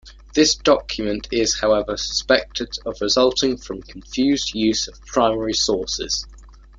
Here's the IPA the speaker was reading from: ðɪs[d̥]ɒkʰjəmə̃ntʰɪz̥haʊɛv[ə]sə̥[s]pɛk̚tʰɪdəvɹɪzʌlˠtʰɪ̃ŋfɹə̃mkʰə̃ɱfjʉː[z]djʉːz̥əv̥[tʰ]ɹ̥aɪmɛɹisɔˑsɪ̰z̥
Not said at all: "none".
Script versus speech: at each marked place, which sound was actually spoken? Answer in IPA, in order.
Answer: d̥, ə, s, z, pʰ

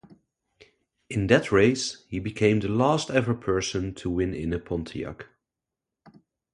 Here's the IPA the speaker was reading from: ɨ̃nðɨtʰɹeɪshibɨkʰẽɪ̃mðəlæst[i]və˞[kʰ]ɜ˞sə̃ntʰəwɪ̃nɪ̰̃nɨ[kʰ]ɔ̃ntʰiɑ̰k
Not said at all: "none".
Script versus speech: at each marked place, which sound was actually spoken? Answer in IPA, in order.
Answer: ɛ, pʰ, pʰ

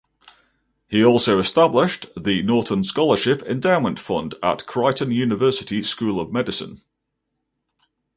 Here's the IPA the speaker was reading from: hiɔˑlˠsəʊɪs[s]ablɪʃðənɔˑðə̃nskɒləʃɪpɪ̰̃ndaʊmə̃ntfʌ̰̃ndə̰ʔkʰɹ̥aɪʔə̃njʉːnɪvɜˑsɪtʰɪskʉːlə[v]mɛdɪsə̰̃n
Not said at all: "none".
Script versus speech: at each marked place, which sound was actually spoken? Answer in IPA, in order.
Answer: t, v

